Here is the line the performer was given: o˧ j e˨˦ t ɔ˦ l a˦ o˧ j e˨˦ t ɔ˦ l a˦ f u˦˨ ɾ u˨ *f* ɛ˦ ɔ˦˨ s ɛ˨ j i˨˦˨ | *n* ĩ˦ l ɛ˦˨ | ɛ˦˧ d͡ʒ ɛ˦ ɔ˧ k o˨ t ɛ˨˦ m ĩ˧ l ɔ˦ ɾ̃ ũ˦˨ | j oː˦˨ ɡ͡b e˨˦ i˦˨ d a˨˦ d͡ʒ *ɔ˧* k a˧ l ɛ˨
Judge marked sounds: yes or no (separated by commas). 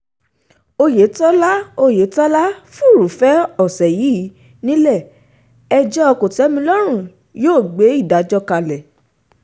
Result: yes, yes, yes